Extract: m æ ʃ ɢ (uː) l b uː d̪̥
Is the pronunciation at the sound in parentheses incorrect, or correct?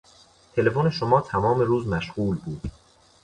correct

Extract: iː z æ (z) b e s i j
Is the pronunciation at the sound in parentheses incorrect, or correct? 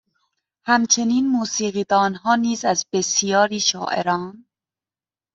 correct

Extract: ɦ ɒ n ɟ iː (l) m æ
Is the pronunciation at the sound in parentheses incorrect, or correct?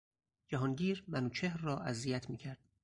incorrect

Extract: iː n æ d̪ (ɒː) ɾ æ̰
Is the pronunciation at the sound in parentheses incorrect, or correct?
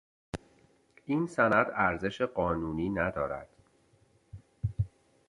correct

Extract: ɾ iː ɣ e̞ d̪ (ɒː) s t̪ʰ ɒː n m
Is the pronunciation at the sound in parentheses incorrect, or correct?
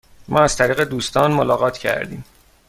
incorrect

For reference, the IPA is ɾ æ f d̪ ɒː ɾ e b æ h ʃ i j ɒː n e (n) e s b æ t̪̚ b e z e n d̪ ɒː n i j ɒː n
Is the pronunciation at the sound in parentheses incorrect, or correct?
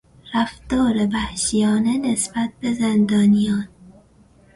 correct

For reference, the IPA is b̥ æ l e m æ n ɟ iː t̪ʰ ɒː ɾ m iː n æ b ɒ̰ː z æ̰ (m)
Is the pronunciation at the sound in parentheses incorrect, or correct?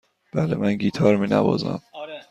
correct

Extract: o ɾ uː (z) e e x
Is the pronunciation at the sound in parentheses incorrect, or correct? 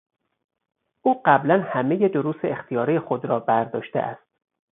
incorrect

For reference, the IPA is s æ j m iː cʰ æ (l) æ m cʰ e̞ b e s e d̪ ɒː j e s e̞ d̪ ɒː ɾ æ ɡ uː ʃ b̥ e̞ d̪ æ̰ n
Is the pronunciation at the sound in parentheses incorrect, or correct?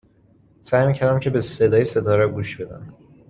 incorrect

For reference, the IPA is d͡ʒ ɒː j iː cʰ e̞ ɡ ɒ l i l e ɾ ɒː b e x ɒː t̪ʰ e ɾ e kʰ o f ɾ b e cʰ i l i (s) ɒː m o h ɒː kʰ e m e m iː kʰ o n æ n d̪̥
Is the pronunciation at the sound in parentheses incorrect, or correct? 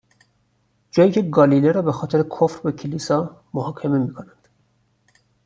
correct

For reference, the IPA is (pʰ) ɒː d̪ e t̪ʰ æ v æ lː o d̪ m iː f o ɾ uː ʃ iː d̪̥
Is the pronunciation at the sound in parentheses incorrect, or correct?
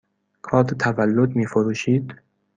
incorrect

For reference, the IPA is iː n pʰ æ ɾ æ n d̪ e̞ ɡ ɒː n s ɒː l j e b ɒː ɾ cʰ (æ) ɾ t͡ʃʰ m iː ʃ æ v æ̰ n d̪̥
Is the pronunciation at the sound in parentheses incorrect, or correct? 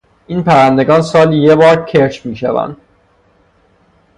incorrect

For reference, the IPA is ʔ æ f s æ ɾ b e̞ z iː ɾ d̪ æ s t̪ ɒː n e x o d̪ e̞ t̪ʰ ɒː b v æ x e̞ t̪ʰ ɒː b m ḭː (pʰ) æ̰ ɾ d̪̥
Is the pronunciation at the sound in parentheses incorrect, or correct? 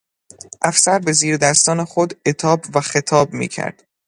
incorrect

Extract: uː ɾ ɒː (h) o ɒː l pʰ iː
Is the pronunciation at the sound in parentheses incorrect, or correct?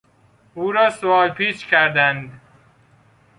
incorrect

